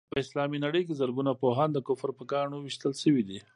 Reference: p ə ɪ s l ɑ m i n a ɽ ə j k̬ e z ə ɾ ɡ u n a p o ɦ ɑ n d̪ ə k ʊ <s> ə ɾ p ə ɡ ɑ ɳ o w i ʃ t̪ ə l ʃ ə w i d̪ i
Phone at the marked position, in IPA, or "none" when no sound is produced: f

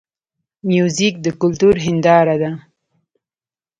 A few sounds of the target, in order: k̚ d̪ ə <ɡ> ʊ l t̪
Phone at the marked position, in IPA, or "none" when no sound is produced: k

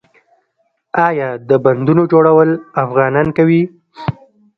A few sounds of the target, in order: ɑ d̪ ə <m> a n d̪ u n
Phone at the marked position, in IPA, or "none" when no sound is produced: b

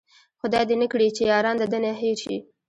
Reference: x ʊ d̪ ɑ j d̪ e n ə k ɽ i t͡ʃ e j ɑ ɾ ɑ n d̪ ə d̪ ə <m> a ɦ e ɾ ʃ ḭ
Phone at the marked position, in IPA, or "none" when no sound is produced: n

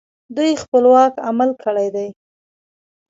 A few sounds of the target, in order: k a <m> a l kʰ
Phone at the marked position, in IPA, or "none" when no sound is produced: m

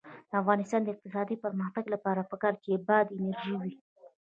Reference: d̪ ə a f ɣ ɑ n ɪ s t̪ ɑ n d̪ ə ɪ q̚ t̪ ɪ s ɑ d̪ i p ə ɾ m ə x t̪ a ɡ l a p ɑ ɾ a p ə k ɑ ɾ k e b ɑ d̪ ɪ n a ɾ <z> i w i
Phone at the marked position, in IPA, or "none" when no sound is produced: ʒ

